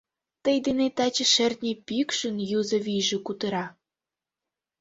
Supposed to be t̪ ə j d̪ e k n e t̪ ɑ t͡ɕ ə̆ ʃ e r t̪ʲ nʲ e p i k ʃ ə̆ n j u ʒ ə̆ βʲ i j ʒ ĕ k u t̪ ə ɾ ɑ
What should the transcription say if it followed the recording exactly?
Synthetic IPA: t̪ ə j d̪ e n e t̪ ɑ t͡ɕ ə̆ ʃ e r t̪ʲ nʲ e p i k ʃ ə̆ n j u z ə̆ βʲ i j ʒ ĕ k u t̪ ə ɾ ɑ